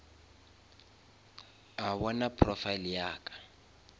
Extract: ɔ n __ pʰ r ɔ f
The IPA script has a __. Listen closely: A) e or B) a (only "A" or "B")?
B